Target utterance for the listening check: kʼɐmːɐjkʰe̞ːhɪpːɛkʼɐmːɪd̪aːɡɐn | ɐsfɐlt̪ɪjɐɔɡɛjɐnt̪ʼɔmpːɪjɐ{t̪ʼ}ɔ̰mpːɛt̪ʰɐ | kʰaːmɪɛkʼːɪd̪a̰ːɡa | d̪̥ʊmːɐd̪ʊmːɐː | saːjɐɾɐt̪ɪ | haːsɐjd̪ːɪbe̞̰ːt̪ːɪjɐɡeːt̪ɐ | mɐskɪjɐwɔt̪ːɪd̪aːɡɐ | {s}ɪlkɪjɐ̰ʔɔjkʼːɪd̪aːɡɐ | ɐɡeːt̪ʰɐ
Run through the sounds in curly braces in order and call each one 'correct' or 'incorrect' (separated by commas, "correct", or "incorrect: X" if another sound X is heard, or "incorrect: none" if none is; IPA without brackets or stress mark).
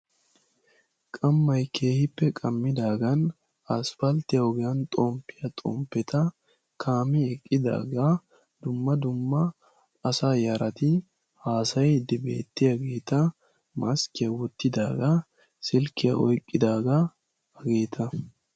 correct, correct